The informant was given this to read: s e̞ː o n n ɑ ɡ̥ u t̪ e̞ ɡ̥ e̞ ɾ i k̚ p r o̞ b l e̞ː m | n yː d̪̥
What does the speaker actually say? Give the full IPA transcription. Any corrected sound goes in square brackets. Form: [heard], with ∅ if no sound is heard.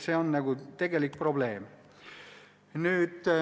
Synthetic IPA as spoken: s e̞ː o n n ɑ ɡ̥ u t̪ e̞ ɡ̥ e̞ [l] i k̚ p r o̞ b l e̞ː m | n yː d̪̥